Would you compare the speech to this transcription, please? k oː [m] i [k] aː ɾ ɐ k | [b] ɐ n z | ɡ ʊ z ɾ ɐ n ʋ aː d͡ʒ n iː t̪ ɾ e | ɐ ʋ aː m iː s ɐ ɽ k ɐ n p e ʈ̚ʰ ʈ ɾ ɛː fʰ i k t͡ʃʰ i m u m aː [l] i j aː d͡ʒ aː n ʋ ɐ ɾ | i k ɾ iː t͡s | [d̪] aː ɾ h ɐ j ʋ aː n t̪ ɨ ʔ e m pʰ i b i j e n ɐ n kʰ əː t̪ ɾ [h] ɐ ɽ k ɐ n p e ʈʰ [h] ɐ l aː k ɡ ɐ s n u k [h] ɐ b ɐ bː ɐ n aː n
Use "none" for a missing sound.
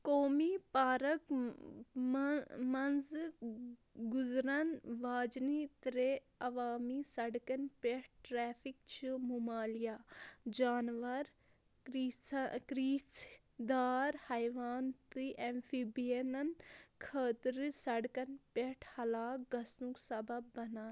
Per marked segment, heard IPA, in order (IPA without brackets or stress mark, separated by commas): m, p, m, l, d̪, s, h, s